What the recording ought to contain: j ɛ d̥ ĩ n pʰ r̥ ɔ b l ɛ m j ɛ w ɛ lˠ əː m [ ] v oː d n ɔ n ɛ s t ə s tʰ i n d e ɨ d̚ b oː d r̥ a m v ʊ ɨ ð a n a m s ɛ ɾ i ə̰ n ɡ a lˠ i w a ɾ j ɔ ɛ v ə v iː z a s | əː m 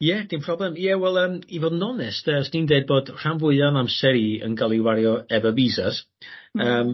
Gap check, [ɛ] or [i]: i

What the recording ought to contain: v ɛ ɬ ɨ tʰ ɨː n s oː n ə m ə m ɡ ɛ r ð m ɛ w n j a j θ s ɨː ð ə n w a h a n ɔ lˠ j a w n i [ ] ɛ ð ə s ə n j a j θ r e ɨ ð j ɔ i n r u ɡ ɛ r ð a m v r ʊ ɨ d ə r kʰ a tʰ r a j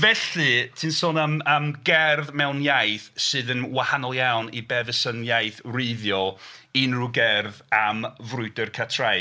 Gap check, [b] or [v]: b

